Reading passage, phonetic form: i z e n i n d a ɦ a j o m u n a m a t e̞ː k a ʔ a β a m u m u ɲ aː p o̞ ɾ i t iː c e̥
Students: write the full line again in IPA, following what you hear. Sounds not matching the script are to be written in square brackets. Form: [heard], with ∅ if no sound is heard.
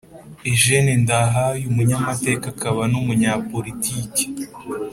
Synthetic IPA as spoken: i [ʒ] e n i n d a ɦ a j [u] m u [ɲ] a m a t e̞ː k a [k] a β a [n] u m u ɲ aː p o̞ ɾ i t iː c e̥